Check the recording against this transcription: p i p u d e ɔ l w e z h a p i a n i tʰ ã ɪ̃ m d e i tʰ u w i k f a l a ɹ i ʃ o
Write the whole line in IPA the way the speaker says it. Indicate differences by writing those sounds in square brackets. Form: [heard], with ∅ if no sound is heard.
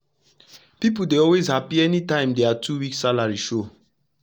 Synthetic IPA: p i p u d e ɔ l w e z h a p i [ɛ] n i [t] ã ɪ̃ m d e [a] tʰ u w i k [s] a l a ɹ i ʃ o